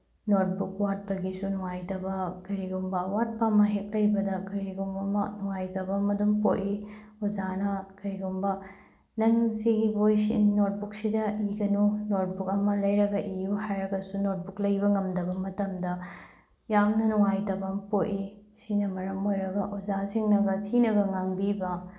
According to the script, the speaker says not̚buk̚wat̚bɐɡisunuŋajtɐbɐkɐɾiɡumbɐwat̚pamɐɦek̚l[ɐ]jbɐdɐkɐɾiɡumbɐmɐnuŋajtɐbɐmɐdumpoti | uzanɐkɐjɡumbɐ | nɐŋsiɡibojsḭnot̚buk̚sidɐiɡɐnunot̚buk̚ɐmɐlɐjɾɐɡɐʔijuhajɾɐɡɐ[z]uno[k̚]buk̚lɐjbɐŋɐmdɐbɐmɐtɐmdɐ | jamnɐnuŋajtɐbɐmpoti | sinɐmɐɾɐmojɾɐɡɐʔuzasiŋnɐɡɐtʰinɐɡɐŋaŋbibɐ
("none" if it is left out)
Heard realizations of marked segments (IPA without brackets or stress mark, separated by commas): ɐ, s, t̚